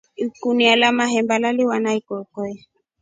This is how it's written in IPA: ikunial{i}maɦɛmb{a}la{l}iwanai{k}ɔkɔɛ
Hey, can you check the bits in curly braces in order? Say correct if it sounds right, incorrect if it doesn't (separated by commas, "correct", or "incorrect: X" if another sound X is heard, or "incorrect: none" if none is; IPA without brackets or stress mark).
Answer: incorrect: a, correct, correct, correct